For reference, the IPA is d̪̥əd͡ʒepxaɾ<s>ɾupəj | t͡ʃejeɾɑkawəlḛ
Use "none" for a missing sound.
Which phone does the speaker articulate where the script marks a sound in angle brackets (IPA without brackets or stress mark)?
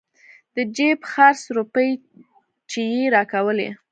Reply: s